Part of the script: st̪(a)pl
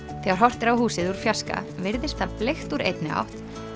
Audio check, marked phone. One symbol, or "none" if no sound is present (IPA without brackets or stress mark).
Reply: a